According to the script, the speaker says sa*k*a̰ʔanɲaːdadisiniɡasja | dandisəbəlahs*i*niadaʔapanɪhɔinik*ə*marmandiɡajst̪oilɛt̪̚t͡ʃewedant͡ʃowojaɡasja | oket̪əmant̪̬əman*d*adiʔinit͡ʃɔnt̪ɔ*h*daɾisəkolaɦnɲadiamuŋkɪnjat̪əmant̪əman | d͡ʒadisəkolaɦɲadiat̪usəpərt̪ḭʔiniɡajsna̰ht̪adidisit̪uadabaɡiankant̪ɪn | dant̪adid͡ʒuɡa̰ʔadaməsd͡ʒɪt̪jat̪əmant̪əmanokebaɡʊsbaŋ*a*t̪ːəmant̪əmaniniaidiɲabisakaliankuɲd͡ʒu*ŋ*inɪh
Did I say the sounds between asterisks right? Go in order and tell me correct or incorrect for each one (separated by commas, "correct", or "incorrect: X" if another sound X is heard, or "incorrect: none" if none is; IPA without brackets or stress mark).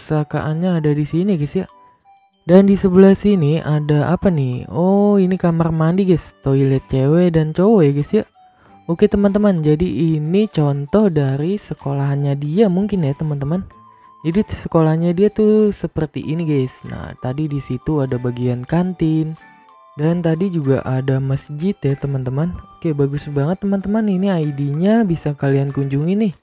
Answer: correct, correct, incorrect: a, incorrect: d͡ʒ, correct, incorrect: ə, correct